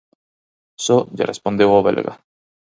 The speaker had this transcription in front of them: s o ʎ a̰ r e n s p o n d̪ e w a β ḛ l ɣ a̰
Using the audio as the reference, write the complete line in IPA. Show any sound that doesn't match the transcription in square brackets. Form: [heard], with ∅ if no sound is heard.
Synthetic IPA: s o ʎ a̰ r e [∅] s p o n d̪ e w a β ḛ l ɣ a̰